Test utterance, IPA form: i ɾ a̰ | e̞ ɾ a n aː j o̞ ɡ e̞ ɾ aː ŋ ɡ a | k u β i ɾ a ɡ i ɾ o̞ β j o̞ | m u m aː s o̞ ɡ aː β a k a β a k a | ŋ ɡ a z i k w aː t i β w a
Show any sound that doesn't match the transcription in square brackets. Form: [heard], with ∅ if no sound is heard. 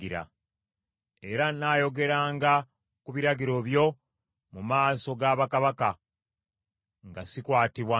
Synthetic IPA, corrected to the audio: i ɾ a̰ | e̞ ɾ a n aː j o̞ ɡ e̞ ɾ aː ŋ ɡ a | k u β i ɾ a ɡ i ɾ o̞ β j o̞ | m u m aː s o̞ ɡ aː β a k a β a k a | ŋ ɡ a [s] i k w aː t i β w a